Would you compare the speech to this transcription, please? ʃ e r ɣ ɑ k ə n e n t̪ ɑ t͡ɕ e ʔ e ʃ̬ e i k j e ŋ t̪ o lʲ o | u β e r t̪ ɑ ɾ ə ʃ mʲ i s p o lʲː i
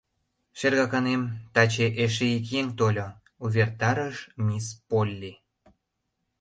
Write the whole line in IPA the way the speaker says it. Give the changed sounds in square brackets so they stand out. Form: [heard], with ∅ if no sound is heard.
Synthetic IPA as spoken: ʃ e r ɣ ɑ k [ɑ] n e [m] t̪ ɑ t͡ɕ e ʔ e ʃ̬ e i k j e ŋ t̪ o lʲ o | u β e r t̪ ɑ ɾ ə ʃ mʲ i s p o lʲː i